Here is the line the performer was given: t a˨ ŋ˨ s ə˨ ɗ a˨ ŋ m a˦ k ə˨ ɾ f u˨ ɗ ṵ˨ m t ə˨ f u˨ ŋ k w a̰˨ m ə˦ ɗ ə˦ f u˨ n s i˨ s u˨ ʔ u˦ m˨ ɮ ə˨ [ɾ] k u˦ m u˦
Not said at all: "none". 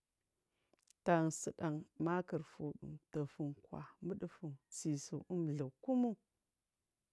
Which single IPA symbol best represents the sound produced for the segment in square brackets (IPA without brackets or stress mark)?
none